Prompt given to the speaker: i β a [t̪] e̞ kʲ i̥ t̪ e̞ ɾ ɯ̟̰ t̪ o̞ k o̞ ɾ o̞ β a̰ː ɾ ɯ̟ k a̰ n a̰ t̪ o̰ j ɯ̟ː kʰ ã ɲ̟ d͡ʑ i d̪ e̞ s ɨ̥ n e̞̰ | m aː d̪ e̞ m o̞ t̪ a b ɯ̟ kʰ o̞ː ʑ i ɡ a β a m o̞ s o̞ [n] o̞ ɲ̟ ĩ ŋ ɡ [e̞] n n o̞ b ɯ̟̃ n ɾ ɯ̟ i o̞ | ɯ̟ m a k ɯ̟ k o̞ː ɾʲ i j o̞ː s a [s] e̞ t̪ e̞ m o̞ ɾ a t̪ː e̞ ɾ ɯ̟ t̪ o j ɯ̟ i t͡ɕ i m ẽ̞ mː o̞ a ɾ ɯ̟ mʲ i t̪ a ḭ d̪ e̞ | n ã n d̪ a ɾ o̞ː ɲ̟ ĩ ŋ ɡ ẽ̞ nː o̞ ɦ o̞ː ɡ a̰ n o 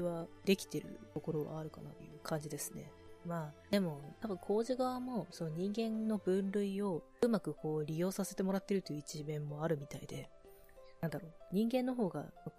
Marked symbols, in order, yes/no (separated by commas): no, yes, no, yes